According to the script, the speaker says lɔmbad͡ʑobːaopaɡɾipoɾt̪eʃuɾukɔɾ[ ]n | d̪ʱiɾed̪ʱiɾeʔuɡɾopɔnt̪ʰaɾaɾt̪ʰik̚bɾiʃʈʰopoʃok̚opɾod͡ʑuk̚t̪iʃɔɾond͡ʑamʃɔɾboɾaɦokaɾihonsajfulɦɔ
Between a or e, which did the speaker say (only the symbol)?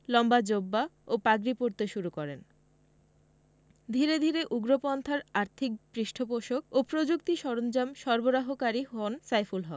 e